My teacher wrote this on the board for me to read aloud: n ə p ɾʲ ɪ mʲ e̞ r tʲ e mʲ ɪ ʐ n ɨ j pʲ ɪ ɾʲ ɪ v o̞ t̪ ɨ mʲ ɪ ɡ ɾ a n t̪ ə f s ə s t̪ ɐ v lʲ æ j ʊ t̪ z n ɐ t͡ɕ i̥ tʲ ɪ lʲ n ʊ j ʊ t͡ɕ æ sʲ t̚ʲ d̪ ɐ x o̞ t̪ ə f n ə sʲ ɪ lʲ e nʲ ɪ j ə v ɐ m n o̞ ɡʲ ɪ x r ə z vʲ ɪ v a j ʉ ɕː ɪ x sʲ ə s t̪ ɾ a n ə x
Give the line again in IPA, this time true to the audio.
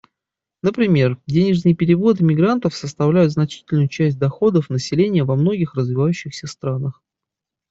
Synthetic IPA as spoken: n ə p ɾʲ ɪ mʲ e̞ r dʲ e nʲ ɪ ʐ n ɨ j pʲ ɪ ɾʲ ɪ v o̞ t̪ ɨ mʲ ɪ ɡ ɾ a n t̪ ə f s ə s t̪ ɐ v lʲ æ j ʊ t̪ z n ɐ t͡ɕ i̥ tʲ ɪ lʲ n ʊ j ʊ t͡ɕ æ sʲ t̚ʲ d̪ ɐ x o̞ d̪ ə f n ə sʲ ɪ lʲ e nʲ ɪ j ə v ɐ m n o̞ ɡʲ ɪ x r ə z vʲ ɪ v a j ʉ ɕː ɪ x sʲ ə s t̪ ɾ a n ə x